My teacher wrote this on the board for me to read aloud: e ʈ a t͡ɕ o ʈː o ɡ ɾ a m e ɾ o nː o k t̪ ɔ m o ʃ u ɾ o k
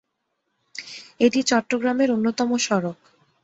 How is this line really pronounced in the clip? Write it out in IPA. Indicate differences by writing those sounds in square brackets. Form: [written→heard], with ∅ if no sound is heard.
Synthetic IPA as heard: e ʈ [a→i] t͡ɕ [o→ɔ] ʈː o ɡ ɾ a m e ɾ o nː o [k→∅] t̪ ɔ m o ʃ [u→ɔ] ɾ o k